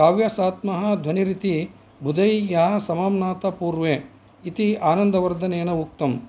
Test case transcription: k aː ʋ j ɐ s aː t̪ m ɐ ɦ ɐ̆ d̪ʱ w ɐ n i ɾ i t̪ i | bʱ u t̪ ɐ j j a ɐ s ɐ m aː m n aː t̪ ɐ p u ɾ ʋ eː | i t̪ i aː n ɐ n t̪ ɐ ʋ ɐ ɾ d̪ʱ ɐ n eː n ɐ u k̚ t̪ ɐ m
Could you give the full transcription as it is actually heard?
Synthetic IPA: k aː ʋ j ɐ s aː t̪ m ɐ ɦ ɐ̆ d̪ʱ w ɐ n i ɾ i t̪ i | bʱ u d̪ ɐ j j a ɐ s ɐ m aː m n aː t̪ ɐ p uː ɾ ʋ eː | i t̪ i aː n ɐ n d̪ ɐ ʋ ɐ ɾ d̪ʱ ɐ n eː n ɐ u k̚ t̪ ɐ m